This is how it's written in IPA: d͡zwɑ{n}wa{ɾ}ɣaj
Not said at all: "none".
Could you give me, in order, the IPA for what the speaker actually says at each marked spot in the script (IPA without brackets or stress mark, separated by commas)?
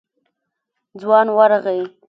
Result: n, ɾ